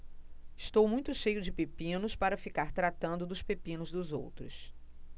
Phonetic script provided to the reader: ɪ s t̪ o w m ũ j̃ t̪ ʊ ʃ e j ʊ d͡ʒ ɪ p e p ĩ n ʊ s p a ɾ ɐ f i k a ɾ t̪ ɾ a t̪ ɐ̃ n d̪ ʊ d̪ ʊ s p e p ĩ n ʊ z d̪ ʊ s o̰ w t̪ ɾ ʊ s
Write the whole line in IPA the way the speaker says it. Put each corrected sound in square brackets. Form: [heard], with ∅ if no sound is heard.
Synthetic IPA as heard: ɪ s t̪ o w m ũ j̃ t̪ ʊ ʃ e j ʊ d͡ʒ ɪ p e p ĩ n ʊ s p a ɾ ɐ f i k a ɾ t̪ ɾ a t̪ ɐ̃ n d̪ ʊ d̪ ʊ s p e p ĩ n ʊ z d̪ ʊ [z] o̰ w t̪ ɾ ʊ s

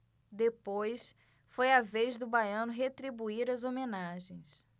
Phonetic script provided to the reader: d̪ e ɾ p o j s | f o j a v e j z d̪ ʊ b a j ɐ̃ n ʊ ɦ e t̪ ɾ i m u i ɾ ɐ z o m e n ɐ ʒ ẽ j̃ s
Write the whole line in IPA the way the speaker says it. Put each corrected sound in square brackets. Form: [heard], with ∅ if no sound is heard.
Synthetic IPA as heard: d̪ e [∅] p o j s | f o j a v e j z d̪ ʊ b a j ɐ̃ n ʊ ɦ e t̪ ɾ i [b] u i ɾ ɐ z o m e n [a] ʒ ẽ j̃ s

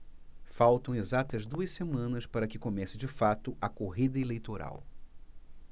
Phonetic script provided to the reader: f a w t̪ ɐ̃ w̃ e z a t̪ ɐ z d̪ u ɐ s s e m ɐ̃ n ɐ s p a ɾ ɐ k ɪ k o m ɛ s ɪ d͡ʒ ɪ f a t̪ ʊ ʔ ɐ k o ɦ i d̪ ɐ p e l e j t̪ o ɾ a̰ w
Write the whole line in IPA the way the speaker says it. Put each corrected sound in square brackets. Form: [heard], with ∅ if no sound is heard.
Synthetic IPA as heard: f a w t̪ ɐ̃ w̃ e z a t̪ ɐ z d̪ u ɐ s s e m ɐ̃ n ɐ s p a ɾ ɐ k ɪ k o m ɛ s ɪ d͡ʒ ɪ f a t̪ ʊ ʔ ɐ k o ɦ i d̪ ɐ [∅] e l e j t̪ o ɾ a̰ w

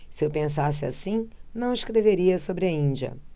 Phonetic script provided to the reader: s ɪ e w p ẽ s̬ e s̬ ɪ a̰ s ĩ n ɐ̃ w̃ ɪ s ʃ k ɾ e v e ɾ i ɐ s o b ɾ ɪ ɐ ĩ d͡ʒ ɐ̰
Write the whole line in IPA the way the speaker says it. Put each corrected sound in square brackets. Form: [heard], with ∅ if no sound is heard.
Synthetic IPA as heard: s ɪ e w p ẽ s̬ [a] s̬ ɪ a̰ s ĩ n ɐ̃ w̃ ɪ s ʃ k ɾ e v e ɾ i ɐ s o b ɾ ɪ ɐ ĩ d͡ʒ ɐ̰

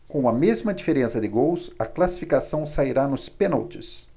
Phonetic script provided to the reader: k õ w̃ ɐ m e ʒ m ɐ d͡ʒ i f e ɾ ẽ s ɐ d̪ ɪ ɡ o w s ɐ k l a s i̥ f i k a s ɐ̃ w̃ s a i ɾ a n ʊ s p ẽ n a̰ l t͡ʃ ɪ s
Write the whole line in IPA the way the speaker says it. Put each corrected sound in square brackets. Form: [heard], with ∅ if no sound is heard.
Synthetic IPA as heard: k õ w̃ ɐ m e [z] m ɐ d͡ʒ i f e ɾ ẽ s ɐ d̪ ɪ ɡ o w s ɐ k l a s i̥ f i k a s ɐ̃ w̃ s a i ɾ a n ʊ s p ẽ n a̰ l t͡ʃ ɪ s

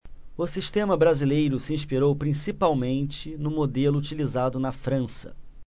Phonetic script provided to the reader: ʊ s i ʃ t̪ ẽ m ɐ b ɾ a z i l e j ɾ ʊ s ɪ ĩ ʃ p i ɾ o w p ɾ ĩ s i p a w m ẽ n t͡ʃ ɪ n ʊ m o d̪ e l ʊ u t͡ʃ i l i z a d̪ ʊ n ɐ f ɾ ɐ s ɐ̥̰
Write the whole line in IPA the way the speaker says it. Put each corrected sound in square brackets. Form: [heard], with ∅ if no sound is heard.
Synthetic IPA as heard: ʊ s i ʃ t̪ ẽ m ɐ b ɾ a z i l e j ɾ ʊ s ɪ ĩ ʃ p i ɾ o w p ɾ ĩ s i p a w m ẽ n t͡ʃ ɪ n ʊ m o d̪ e l ʊ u t͡ʃ i l i z a d̪ ʊ n ɐ f ɾ [ɐ̃] s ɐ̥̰

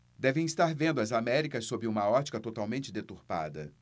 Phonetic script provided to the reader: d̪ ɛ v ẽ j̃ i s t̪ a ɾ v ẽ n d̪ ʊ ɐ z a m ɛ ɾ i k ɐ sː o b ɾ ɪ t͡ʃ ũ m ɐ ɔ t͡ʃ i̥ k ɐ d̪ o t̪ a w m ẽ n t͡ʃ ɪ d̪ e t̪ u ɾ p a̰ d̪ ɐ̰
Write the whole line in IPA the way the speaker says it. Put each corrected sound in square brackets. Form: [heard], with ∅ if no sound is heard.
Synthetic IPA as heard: d̪ ɛ v ẽ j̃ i s t̪ a ɾ v ẽ n d̪ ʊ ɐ z a m ɛ ɾ i k ɐ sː o b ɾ ɪ [∅] ũ m ɐ ɔ t͡ʃ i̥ k ɐ [t̪] o t̪ a w m ẽ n t͡ʃ ɪ d̪ e t̪ u ɾ p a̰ d̪ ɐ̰

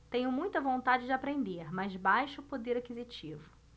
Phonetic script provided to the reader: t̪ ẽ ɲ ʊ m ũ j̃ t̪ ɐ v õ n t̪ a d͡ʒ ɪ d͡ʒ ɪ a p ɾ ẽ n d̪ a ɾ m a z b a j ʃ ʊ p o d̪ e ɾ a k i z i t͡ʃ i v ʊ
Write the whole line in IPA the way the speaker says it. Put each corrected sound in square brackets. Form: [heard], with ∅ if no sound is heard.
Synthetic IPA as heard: t̪ ẽ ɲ ʊ m ũ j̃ t̪ ɐ v õ n t̪ a d͡ʒ ɪ d͡ʒ ɪ a p ɾ ẽ n d̪ [e] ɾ m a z b a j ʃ ʊ p o d̪ e ɾ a k i z i t͡ʃ i v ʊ

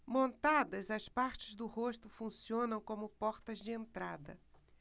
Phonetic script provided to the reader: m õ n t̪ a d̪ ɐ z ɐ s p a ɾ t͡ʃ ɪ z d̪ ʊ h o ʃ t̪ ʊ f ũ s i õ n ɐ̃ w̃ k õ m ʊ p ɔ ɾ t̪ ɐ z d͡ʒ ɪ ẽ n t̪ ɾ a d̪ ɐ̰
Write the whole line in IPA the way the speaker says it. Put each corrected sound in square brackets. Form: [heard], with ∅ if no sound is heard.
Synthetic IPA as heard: m õ n t̪ a d̪ ɐ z ɐ s p a ɾ t͡ʃ ɪ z d̪ ʊ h o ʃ t̪ ʊ f ũ s i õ n ɐ̃ w̃ k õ m ʊ p ɔ ɾ t̪ ɐ z d͡ʒ ɪ ẽ n t̪ ɾ a d̪ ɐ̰

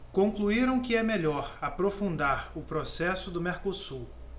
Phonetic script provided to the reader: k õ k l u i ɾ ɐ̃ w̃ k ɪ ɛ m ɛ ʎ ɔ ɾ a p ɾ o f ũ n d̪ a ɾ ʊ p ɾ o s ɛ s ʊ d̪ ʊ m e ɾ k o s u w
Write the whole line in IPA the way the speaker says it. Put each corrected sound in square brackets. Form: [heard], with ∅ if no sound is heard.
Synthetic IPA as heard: k õ k l u i ɾ ɐ̃ w̃ k ɪ ɛ m [e] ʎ ɔ ɾ a p ɾ o f ũ n d̪ a ɾ ʊ p ɾ o s ɛ s ʊ d̪ ʊ m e ɾ k o s u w

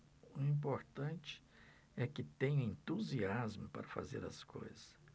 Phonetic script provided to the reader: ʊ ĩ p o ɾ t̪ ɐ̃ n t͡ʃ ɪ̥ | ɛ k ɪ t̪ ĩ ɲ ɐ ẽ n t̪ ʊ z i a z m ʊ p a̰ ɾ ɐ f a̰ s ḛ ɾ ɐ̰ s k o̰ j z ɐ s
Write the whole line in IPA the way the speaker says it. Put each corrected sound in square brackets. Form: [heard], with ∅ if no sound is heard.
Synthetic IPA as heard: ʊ ĩ p o ɾ t̪ ɐ̃ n t͡ʃ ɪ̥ | ɛ k ɪ t̪ [ẽ] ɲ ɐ ẽ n t̪ [u] z i a z m ʊ p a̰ ɾ ɐ f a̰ [z] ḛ ɾ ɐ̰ s k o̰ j z ɐ s

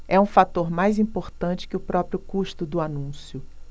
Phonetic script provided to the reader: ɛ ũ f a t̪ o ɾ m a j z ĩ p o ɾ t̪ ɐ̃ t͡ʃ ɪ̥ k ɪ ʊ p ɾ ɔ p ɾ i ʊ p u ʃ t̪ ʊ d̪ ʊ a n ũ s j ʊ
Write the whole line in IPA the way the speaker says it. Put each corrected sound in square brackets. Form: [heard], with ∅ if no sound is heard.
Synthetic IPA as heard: ɛ ũ f a t̪ o ɾ m a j z ĩ p o ɾ t̪ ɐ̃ t͡ʃ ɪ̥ k ɪ ʊ p ɾ ɔ p ɾ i ʊ [k] u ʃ t̪ ʊ d̪ ʊ a n ũ s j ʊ

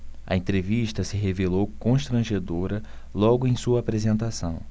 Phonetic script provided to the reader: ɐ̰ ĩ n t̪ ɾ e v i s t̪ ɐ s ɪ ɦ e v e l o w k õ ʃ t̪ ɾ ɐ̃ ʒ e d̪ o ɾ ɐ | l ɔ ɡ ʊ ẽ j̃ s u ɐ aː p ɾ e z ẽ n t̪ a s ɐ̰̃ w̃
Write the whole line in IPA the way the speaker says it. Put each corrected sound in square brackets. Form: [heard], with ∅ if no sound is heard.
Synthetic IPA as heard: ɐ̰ [ẽ] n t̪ ɾ e v i [ʃ] t̪ ɐ s ɪ ɦ e v e l o w k õ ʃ t̪ ɾ ɐ̃ ʒ e d̪ o ɾ ɐ | l ɔ ɡ ʊ ẽ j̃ s u ɐ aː p ɾ e z ẽ n t̪ a s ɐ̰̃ w̃

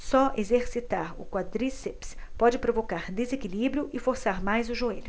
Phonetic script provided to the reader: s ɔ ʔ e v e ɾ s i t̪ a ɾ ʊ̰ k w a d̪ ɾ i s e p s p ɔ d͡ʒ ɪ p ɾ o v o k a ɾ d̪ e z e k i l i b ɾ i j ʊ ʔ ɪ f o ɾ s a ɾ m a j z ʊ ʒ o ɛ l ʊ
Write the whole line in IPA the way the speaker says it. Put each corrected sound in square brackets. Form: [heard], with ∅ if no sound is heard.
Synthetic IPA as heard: s ɔ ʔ e [z] e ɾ s i t̪ a ɾ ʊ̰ k w a d̪ ɾ i s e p s p ɔ d͡ʒ ɪ p ɾ o v o k a ɾ d̪ e z e k i l i b ɾ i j ʊ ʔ ɪ f o ɾ s a ɾ m a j z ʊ ʒ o [e] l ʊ

